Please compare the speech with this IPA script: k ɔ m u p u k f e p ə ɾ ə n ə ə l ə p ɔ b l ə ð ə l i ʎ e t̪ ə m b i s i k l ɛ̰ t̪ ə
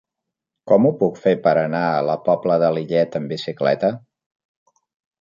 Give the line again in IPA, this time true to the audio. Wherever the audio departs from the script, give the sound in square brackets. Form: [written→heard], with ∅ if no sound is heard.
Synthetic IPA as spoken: k ɔ m u p u k f e p ə ɾ ə n [ə→a] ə l ə p ɔ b l ə ð ə l i ʎ [e→ɛ] t̪ ə m b i s i k l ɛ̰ t̪ ə